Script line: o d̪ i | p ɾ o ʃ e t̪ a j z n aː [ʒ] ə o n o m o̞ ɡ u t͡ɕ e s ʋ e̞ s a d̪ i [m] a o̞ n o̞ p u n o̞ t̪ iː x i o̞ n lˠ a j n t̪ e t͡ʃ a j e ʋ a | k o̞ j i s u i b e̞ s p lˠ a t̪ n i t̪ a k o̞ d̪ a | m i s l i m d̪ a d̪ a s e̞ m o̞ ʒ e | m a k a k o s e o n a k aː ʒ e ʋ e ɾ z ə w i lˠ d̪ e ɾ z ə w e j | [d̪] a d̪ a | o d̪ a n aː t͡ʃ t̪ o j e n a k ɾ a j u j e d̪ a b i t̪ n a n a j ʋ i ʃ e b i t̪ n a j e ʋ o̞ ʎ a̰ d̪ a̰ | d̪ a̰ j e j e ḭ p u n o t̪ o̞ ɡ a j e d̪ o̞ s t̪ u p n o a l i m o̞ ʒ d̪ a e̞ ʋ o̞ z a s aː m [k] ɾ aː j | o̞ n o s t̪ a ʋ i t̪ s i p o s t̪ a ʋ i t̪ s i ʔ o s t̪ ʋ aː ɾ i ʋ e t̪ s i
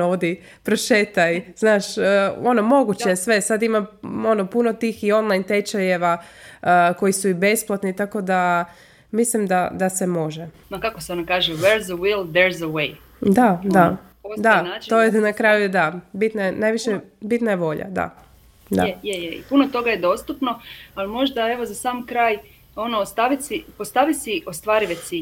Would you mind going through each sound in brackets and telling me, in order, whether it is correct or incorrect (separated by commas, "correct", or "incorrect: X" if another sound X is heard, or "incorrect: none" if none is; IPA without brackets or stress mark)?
incorrect: ʃ, correct, correct, correct